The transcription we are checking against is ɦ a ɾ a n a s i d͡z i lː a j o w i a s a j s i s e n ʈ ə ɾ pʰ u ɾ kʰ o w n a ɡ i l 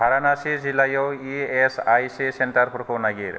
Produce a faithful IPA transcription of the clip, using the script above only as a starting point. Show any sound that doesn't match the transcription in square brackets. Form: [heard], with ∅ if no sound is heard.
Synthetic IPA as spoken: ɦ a ɾ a n a s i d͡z i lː a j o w i [e] s a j s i s e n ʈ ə ɾ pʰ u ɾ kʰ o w n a ɡ i [ɾ]